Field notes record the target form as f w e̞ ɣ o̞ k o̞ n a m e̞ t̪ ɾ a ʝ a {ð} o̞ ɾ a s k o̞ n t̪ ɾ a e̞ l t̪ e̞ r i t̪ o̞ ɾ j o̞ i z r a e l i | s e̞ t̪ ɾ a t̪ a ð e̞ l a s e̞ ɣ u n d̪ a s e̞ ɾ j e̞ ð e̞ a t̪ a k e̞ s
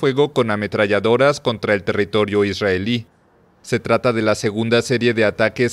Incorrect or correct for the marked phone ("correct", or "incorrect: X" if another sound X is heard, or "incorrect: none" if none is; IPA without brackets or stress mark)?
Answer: correct